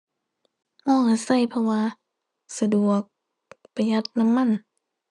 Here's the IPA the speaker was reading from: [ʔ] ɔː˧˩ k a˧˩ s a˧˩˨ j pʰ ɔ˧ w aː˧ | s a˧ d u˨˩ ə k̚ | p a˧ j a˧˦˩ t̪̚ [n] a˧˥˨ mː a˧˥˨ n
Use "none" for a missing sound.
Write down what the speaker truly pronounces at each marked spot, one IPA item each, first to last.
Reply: ʔ, n

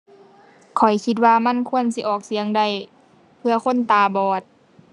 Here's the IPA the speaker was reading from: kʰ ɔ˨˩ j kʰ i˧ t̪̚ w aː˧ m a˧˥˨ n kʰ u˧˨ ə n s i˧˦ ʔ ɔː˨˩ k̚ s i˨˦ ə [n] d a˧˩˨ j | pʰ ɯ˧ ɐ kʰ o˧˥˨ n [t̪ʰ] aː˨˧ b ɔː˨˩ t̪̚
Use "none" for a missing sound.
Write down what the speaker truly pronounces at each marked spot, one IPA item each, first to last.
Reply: ŋ, t̪

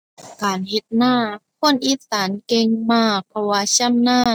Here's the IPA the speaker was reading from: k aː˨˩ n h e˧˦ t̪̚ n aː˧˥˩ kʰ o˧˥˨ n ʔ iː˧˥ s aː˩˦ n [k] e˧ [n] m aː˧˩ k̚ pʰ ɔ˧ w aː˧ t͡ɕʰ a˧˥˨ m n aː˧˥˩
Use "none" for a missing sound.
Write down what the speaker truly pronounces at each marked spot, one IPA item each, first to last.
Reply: k, ŋ

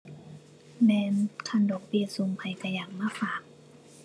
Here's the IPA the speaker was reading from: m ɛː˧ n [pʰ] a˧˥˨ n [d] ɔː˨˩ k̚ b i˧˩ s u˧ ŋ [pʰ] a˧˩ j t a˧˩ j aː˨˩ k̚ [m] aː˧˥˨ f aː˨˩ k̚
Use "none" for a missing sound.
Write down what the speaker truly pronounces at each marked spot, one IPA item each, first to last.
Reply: kʰ, d, pʰ, m

